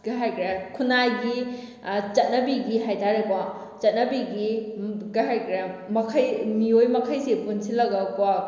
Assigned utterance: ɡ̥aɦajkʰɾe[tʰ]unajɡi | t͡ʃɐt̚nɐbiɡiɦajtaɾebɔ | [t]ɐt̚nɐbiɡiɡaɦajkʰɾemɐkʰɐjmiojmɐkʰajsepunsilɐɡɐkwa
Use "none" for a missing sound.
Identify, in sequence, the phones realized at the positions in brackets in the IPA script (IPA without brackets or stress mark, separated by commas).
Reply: kʰ, t͡ʃ